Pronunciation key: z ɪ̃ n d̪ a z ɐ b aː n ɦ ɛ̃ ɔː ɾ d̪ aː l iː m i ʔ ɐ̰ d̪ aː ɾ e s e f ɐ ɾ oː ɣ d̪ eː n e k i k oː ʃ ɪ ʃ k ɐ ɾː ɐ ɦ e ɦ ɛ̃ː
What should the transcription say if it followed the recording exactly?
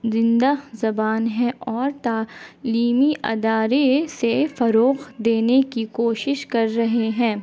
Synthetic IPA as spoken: z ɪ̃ n d̪ a z ɐ b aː n ɦ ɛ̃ ɔː ɾ t̪ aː l iː m i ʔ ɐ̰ d̪ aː ɾ e s e f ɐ ɾ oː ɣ d̪ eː n e k i k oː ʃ ɪ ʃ k ɐ ɾː ɐ ɦ e ɦ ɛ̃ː